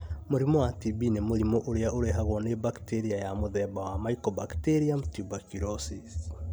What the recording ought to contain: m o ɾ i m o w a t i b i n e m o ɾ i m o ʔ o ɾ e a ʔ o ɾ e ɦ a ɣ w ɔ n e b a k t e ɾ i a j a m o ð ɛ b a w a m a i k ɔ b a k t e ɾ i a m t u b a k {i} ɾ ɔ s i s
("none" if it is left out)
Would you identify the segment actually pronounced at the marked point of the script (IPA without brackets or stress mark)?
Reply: i